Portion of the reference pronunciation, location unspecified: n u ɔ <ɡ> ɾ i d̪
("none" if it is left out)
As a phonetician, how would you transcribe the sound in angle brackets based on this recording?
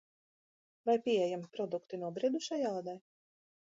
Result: b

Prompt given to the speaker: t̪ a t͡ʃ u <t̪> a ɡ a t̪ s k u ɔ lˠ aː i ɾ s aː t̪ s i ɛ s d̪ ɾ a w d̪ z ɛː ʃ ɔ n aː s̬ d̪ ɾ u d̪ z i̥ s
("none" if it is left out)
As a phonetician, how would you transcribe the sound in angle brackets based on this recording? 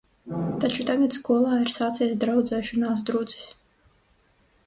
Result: t̪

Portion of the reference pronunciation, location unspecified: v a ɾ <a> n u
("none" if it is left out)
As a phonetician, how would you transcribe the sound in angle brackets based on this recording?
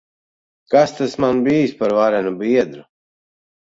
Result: ɛ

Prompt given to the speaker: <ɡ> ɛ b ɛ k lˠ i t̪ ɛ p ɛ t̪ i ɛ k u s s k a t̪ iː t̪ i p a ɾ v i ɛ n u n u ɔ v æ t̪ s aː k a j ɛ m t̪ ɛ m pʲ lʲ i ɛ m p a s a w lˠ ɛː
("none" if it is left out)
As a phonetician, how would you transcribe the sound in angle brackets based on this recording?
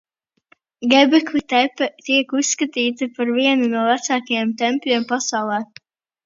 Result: ɡ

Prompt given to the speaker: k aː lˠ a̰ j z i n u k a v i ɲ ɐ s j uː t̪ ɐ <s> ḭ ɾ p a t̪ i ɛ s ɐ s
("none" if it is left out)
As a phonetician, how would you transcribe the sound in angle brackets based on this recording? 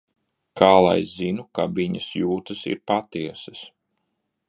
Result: s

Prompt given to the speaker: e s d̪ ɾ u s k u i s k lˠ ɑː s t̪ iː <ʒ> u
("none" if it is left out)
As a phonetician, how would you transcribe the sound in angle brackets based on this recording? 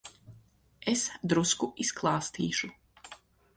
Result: ʃ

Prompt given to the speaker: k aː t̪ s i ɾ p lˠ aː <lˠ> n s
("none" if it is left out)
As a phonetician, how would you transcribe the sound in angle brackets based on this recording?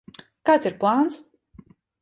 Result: none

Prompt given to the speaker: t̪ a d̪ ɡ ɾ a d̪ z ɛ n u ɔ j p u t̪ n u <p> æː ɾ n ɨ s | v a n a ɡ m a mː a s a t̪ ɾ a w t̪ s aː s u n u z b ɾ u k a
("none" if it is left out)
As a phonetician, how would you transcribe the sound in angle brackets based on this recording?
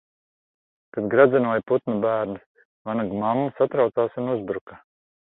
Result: b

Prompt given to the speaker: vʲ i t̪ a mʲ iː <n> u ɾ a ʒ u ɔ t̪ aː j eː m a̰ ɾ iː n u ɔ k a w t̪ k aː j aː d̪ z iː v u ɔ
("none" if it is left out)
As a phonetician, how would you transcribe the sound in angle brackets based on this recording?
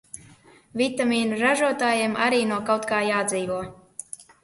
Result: n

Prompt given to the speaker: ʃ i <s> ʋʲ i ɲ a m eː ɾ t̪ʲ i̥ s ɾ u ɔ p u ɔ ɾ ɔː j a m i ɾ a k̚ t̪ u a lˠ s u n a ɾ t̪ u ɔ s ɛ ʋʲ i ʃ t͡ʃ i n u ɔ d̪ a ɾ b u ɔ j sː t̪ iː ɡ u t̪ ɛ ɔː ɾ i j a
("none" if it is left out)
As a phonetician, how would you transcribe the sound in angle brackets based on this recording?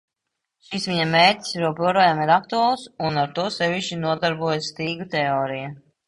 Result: s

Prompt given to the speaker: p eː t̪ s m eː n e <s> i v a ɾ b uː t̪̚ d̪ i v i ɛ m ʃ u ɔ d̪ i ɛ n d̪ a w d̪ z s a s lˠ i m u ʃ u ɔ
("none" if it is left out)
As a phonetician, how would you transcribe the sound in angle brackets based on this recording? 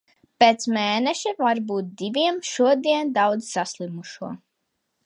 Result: ʃ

